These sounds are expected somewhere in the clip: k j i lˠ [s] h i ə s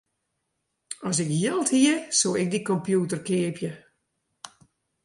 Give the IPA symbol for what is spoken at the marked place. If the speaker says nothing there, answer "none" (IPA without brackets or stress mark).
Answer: t